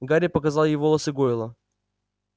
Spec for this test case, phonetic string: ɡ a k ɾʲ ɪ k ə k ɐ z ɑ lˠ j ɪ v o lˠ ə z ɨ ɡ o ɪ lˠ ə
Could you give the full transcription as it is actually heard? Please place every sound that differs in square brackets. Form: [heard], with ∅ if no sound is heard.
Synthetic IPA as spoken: ɡ a [∅] ɾʲ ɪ [p] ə k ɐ z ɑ lˠ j ɪ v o lˠ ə [s] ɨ ɡ o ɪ lˠ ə